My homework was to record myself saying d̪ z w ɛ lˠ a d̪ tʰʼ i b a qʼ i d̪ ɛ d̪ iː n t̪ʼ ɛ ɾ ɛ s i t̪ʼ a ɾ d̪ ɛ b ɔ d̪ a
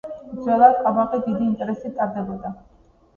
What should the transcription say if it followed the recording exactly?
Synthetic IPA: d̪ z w ɛ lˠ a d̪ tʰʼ a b a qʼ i d̪ i d̪ iː n t̪ʼ ɛ ɾ ɛ s i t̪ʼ a ɾ d̪ ɛ b ɔ d̪ a

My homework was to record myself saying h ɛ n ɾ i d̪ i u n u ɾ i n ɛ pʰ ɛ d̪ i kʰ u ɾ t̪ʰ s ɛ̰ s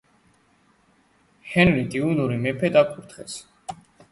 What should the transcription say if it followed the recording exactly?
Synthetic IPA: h ɛ n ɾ i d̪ i u n u ɾ i m ɛ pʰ ɛ d̪ a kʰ u ɾ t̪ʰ χ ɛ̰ s

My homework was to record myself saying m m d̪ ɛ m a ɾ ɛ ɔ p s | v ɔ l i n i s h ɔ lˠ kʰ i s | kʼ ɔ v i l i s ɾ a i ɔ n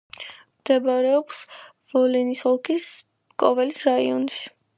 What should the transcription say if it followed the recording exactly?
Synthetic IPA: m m d̪ ɛ b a ɾ ɛ ɔ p s | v ɔ l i n i s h ɔ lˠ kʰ i s | kʼ ɔ v ɛ l i s ɾ a i ɔ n

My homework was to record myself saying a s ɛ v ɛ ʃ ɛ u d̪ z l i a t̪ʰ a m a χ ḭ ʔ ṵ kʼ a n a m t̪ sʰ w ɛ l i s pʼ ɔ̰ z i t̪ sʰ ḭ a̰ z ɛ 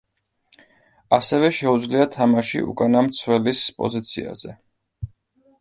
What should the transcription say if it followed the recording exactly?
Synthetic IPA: a s ɛ v ɛ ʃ ɛ u d̪ z l i a t̪ʰ a m a ʃ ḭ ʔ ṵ kʼ a n a m t̪ sʰ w ɛ l i s pʼ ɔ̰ z i t̪ sʰ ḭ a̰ z ɛ

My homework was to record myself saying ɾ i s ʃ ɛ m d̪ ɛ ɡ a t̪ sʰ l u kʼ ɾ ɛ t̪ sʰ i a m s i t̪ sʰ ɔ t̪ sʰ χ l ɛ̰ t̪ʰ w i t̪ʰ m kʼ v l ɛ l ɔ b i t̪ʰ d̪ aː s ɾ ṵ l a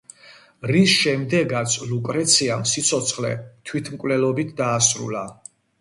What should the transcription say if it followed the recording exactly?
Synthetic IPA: ɾ i s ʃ ɛ m d̪ ɛ ɡ a t̪ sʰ l u kʼ ɾ ɛ t̪ sʰ i a m s i t̪ sʰ ɔ t̪ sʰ χ l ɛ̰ t̪ʰ w i t̪ʰ m kʼ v l ɛ l ɔ b i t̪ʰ d̪ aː s ɾ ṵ l a

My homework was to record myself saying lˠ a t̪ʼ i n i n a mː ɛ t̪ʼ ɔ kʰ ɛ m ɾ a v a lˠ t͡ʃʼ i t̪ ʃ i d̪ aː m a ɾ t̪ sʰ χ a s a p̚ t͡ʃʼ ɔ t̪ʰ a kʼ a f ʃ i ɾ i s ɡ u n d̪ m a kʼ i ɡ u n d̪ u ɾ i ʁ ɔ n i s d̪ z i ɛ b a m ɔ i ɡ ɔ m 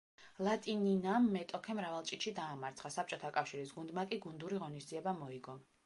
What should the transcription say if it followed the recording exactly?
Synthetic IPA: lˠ a t̪ʼ i n i n a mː ɛ t̪ʼ ɔ kʰ ɛ m ɾ a v a lˠ t͡ʃʼ i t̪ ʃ i d̪ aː m a ɾ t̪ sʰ χ a s a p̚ t͡ʃʼ ɔ t̪ʰ a kʼ a f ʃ i ɾ i s ɡ u n d̪ m a kʼ i ɡ u n d̪ u ɾ i ʁ ɔ n i s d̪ z i ɛ b a m ɔ i ɡ ɔ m

